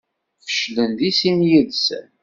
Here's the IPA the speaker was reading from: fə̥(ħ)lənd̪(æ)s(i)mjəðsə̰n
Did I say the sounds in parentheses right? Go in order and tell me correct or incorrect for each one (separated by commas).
incorrect, incorrect, correct